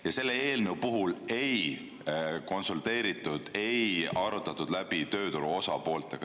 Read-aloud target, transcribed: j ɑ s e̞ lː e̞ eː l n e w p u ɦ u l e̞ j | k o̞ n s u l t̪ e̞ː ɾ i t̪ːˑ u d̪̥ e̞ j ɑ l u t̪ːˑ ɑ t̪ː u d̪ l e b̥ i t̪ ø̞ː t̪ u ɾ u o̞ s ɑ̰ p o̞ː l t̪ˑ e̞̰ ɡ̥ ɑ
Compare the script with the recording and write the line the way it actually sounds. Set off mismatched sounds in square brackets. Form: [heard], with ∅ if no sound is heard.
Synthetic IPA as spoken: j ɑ s e̞ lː e̞ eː l n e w p u ɦ u l e̞ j | k o̞ n s u l t̪ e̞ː ɾ i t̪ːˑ u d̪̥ e̞ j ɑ [ɾ] u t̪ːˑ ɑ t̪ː u d̪ l [æ] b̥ i t̪ ø̞ː t̪ u ɾ u o̞ s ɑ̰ p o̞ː l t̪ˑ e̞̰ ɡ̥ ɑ

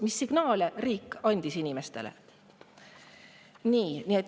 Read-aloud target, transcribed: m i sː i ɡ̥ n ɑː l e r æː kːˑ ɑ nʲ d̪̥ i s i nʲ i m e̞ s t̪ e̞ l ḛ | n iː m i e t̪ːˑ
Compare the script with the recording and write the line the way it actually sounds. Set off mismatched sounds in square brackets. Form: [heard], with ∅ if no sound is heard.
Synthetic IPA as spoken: m i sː i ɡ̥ n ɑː l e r [iː] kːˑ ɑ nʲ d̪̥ i s i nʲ i m e̞ s t̪ e̞ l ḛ | n iː [n] i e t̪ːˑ

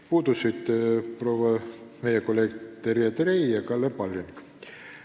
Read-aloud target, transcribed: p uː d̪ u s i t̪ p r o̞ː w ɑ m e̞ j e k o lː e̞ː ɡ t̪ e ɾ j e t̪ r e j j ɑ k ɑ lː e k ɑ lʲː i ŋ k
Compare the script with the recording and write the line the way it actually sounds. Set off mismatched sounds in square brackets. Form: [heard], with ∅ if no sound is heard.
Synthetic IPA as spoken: p uː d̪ u s i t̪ p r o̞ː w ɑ m e̞ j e k o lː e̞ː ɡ t̪ e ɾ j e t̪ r e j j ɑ k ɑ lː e [p] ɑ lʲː i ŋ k

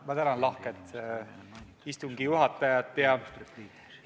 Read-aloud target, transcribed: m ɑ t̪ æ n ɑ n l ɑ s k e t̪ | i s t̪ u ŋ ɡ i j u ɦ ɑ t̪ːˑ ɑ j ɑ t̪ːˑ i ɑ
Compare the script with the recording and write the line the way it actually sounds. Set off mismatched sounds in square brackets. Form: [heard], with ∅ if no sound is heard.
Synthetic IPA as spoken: m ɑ t̪ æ n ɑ n l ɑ [h] k e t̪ | i s t̪ u ŋ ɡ i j u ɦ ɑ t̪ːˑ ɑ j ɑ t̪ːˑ [j] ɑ

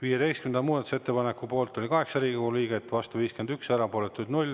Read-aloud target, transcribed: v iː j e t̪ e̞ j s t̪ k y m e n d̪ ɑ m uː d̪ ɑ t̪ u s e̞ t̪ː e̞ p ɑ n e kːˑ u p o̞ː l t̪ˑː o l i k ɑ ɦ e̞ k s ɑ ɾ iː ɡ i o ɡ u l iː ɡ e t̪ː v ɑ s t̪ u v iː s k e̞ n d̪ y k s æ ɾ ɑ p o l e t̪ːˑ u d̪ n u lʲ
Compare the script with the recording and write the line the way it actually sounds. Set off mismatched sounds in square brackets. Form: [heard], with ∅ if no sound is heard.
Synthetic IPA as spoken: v iː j e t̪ e̞ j s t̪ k y m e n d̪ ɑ m uː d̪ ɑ t̪ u s e̞ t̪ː e̞ p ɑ n e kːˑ u p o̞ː l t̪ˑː o l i k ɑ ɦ e̞ k s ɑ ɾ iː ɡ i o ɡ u l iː ɡ e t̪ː v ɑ s t̪ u v iː s k e̞ n d̪ y k s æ ɾ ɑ p o l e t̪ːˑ u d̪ n u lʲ

